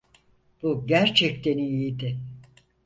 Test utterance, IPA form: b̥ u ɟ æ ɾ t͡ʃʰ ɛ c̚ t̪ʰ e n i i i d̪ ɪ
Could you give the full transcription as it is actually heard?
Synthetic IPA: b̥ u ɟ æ ɾ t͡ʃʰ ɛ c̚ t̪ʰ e n i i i d̪ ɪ